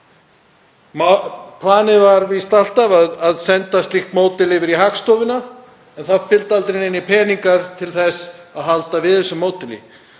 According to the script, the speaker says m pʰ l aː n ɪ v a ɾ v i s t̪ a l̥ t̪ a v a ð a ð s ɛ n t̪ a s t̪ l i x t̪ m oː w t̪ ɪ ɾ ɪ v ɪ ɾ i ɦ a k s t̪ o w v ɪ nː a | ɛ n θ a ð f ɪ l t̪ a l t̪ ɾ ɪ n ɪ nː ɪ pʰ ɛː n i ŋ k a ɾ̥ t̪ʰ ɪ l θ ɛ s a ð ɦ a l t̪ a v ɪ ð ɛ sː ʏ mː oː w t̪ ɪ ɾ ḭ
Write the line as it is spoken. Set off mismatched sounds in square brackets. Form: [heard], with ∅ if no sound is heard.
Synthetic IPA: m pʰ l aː n ɪ v a ɾ v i s t̪ a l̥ t̪ a v a ð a ð s ɛ n t̪ a s t̪ l i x t̪ m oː w t̪ ɪ [l] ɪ v ɪ ɾ i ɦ a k s t̪ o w v ɪ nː a | ɛ n θ a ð f ɪ l t̪ a l t̪ ɾ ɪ n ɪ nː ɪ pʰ ɛː n i ŋ k a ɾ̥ t̪ʰ ɪ l θ ɛ s a ð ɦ a l t̪ a v ɪ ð ɛ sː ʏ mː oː w t̪ ɪ [l] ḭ